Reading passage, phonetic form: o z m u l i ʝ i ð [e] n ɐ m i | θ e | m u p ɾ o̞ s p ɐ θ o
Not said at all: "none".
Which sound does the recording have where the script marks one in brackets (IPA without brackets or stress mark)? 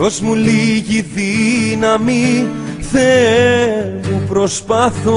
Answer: i